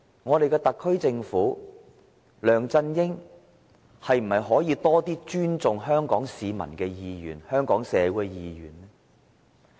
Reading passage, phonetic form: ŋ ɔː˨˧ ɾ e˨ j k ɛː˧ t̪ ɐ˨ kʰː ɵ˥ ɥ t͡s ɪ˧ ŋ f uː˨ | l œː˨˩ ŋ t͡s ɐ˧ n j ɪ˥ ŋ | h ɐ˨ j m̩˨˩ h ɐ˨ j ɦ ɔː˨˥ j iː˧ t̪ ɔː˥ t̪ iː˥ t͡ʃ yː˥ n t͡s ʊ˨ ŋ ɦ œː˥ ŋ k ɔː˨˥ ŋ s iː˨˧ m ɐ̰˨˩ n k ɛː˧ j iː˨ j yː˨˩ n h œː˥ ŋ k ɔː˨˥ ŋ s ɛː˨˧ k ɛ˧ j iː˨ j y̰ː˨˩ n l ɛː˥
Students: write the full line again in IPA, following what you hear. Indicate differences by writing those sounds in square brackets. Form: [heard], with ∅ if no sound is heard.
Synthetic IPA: ŋ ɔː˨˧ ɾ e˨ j k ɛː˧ t̪ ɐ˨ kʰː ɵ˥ ɥ t͡s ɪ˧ ŋ f [uː˨˥] | l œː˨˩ ŋ t͡s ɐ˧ n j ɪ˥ ŋ | h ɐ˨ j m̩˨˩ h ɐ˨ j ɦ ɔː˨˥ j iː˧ t̪ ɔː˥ t̪ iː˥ t͡ʃ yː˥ n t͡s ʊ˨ ŋ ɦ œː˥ ŋ k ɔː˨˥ ŋ s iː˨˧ m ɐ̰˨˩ n k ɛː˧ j iː˨ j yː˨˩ n h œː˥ ŋ k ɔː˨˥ ŋ s ɛː˨˧ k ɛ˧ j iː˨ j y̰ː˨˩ n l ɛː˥

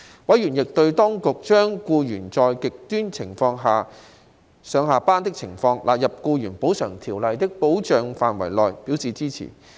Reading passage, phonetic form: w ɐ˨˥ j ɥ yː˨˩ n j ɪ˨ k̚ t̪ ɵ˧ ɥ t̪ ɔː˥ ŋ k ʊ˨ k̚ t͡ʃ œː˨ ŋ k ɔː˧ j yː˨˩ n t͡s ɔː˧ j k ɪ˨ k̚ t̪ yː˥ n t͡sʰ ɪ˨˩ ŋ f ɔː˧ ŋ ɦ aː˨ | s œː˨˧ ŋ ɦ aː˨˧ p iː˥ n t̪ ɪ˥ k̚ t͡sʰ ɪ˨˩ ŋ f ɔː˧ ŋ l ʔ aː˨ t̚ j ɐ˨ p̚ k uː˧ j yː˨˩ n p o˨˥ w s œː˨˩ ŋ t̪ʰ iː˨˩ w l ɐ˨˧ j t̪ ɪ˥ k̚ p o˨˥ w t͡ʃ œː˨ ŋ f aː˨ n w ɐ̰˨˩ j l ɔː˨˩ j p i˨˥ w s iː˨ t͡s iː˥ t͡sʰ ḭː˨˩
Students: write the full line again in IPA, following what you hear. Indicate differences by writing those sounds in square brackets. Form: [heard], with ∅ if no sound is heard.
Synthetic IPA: w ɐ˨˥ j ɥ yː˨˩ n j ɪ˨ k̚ t̪ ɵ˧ ɥ t̪ ɔː˥ ŋ k ʊ˨ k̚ t͡ʃ [œː˥] ŋ k [uː˧] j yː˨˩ n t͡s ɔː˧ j k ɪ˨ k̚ t̪ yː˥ n t͡sʰ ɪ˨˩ ŋ f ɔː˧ ŋ ɦ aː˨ | s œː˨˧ ŋ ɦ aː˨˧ p [aː˥] n t̪ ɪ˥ k̚ t͡sʰ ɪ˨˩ ŋ f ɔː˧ ŋ l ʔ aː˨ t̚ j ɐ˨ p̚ k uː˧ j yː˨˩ n p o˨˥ w s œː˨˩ ŋ t̪ʰ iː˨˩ w l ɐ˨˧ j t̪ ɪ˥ k̚ p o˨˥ w t͡ʃ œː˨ ŋ f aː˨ n w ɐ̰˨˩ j l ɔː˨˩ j p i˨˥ w s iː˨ t͡s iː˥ t͡sʰ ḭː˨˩

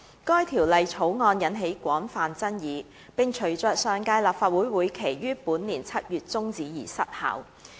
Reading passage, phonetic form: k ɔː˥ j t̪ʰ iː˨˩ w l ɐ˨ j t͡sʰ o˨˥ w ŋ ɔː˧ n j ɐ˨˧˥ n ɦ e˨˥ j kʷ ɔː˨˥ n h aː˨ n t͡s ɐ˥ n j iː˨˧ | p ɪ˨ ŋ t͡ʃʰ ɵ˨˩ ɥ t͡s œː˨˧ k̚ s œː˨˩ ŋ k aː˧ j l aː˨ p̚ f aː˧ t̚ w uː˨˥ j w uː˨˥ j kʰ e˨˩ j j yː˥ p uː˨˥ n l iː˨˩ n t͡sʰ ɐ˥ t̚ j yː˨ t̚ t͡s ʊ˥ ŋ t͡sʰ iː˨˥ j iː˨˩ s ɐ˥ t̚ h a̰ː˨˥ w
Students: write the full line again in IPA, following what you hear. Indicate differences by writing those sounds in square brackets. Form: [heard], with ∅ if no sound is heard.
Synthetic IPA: k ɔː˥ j t̪ʰ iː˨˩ w l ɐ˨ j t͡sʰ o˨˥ w ŋ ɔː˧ n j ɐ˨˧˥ n ɦ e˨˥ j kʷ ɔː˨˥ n [f] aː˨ n t͡s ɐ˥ n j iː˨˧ | p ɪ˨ ŋ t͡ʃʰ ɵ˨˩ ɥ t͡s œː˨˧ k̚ s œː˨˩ ŋ k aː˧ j l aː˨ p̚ f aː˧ t̚ w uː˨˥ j w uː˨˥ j kʰ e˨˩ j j yː˥ p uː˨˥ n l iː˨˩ n t͡sʰ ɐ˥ t̚ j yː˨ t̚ t͡s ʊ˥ ŋ [t͡s] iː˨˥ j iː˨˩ s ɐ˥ t̚ h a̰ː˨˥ w

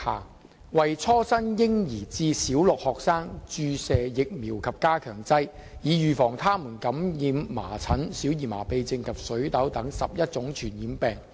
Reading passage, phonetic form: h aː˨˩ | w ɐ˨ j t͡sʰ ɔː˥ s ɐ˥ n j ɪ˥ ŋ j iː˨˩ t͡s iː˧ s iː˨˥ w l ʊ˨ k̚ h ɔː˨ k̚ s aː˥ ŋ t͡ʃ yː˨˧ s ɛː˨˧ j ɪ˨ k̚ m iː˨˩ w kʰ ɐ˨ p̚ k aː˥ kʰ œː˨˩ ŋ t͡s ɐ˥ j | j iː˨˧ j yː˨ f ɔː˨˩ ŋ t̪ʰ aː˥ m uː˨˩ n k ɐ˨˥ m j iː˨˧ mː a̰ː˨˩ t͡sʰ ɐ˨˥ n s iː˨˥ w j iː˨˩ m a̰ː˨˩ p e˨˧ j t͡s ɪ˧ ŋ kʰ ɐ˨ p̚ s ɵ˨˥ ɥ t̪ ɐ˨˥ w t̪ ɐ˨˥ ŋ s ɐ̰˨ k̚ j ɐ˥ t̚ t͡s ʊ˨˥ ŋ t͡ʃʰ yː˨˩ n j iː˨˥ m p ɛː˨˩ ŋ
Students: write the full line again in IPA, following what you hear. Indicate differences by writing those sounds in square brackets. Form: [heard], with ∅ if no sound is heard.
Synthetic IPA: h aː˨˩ | w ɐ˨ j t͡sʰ ɔː˥ s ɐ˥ n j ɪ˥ ŋ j iː˨˩ t͡s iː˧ s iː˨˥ w l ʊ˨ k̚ h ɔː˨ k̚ s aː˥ ŋ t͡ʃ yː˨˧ s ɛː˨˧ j ɪ˨ k̚ m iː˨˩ w kʰ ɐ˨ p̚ k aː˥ kʰ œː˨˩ ŋ t͡s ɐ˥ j | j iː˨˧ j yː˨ f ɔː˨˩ ŋ t̪ʰ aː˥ m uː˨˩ n k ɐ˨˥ m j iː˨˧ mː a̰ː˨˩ t͡sʰ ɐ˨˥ n s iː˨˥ w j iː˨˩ m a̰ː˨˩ p e˨˧ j t͡s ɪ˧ ŋ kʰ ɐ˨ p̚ s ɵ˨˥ ɥ t̪ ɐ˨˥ w t̪ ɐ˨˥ ŋ s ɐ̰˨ [p̚] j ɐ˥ t̚ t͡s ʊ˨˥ ŋ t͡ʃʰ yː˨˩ n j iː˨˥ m p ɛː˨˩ ŋ

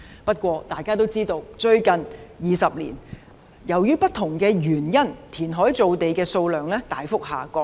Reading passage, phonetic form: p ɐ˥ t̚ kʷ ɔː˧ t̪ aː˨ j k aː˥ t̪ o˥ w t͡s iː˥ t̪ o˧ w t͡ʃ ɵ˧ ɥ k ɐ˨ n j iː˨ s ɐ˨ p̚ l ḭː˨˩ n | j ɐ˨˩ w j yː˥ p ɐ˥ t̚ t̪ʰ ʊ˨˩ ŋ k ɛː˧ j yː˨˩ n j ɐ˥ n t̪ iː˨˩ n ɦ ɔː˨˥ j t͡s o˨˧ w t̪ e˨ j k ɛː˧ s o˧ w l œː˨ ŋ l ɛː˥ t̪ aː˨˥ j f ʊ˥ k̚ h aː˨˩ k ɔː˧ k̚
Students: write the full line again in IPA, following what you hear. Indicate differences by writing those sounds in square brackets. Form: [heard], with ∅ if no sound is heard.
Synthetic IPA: p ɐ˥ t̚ kʷ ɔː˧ t̪ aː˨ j k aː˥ t̪ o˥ w t͡s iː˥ t̪ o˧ w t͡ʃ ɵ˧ ɥ k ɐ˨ n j iː˨ s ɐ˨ p̚ l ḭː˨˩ n | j ɐ˨˩ w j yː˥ p ɐ˥ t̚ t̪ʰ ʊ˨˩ ŋ k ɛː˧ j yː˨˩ n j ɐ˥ n [t̪ʰ] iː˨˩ n ɦ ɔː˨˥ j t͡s o˨˧ w t̪ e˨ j k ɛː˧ s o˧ w l œː˨ ŋ l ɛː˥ t̪ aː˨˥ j f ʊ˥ k̚ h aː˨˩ k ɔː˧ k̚

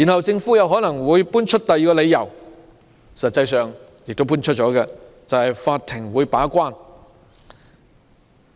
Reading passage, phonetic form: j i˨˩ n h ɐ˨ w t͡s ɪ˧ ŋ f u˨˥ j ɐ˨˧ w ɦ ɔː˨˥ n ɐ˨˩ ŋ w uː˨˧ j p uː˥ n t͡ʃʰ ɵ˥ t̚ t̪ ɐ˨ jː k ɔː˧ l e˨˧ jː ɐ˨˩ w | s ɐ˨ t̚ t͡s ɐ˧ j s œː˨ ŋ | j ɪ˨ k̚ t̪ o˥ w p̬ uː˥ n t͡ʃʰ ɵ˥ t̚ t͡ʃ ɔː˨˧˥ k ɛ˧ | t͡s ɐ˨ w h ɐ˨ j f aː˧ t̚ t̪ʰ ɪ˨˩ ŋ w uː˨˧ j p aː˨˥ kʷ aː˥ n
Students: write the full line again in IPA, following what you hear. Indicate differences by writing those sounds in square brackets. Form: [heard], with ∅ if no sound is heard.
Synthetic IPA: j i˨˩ n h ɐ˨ w t͡s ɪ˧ ŋ f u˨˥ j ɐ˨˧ w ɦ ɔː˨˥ n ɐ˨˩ ŋ w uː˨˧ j p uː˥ n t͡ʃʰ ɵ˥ t̚ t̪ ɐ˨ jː k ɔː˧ l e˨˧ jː ɐ˨˩ w | s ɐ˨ t̚ t͡s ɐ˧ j s œː˨ ŋ | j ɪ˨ k̚ t̪ o˥ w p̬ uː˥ n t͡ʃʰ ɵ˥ t̚ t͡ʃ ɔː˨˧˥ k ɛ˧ | t͡s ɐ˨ w h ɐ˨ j f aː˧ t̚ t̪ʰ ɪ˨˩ ŋ w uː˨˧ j p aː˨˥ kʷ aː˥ n

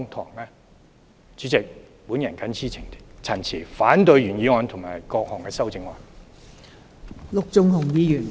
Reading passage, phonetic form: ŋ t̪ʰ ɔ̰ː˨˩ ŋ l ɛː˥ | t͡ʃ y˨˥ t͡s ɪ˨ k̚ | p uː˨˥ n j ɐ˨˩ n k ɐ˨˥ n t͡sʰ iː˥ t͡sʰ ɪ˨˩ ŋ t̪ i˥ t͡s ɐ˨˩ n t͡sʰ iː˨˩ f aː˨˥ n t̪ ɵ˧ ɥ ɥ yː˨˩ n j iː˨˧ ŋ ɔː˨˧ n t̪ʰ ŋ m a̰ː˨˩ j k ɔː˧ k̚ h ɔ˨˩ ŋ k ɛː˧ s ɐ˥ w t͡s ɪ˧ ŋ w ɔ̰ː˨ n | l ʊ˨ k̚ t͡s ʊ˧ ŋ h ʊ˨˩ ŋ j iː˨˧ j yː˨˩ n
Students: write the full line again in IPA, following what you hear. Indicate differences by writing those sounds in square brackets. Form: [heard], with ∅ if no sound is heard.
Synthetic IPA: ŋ t̪ʰ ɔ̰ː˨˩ ŋ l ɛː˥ | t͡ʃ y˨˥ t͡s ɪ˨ k̚ | p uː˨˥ n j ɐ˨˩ n k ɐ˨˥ n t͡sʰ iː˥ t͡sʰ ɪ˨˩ ŋ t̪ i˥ [t͡sʰ] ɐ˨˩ n t͡sʰ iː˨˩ f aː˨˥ n t̪ ɵ˧ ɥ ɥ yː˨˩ n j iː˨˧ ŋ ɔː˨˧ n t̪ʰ ŋ m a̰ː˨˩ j k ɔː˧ k̚ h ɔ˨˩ ŋ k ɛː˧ s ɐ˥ w t͡s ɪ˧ ŋ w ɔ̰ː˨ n | l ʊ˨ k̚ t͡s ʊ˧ ŋ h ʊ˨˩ ŋ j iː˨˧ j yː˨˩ n

